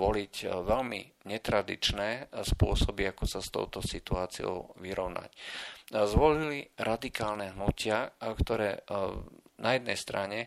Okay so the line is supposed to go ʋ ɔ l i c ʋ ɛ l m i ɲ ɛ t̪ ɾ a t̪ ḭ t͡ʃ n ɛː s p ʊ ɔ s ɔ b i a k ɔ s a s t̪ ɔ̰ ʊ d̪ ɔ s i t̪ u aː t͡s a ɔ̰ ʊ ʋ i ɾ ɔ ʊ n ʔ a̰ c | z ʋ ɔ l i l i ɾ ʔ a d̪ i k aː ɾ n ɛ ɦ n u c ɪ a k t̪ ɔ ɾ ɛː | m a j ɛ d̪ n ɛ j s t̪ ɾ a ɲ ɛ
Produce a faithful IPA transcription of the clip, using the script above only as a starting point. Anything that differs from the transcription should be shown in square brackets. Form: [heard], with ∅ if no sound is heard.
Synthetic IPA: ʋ ɔ l i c ʋ ɛ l m i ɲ ɛ t̪ ɾ a [d̪] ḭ t͡ʃ n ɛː s p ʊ ɔ s ɔ b i a k ɔ s a s t̪ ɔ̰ ʊ [t̪] ɔ s i t̪ u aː t͡s [i] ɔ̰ ʊ ʋ i ɾ ɔ ʊ n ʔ a̰ c | z ʋ ɔ l i l i ɾ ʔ a d̪ i k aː [l] n ɛ ɦ n u c ɪ a k t̪ ɔ ɾ ɛː | [n] a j ɛ d̪ n ɛ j s t̪ ɾ a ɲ ɛ